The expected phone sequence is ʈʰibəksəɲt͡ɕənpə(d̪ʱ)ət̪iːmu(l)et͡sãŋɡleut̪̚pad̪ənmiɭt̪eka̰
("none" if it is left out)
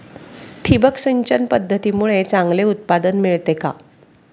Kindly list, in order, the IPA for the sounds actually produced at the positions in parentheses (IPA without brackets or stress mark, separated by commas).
d̪ʱː, ɭ